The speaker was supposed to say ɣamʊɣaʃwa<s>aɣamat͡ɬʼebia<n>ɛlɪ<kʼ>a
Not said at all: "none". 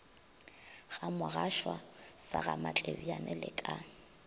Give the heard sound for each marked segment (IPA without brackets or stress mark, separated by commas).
s, n, kʼ